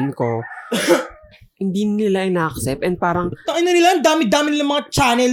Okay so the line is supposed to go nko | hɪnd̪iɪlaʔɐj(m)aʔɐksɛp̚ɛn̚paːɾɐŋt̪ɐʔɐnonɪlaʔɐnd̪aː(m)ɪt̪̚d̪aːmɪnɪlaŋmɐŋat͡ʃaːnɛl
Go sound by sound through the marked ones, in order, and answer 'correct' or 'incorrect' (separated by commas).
incorrect, correct